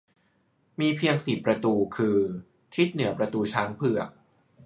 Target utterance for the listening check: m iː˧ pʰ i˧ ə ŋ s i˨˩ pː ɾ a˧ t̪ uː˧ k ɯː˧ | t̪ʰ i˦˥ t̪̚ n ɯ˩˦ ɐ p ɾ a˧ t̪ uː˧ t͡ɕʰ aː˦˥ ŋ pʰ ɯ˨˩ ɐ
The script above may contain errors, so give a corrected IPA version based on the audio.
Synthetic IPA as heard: m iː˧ pʰ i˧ ə ŋ s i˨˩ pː ɾ a˧ t̪ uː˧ kʰ ɯː˧ | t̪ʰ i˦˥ t̪̚ n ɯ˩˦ ɐ p ɾ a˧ t̪ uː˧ t͡ɕʰ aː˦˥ ŋ pʰ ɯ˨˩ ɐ